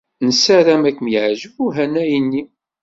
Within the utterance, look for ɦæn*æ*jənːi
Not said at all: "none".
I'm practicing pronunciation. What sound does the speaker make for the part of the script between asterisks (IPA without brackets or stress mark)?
æ